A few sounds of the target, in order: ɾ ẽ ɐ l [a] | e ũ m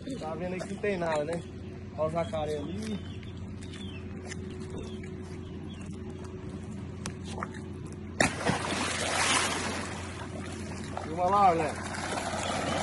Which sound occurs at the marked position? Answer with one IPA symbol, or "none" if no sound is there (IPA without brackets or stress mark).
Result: i